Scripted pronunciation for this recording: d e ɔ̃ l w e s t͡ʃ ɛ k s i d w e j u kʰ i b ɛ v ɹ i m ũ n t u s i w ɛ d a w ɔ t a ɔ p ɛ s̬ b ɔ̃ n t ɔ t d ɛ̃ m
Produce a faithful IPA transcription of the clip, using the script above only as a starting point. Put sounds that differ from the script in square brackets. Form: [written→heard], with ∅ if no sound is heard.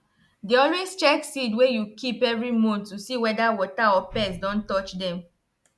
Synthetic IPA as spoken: d e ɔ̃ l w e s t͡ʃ ɛ k s i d w e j u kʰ i [b→p] ɛ v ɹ i m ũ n t u s i w ɛ d a w ɔ t a ɔ p ɛ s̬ [b→d] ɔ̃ n t ɔ [t→t͡ʃ] d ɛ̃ m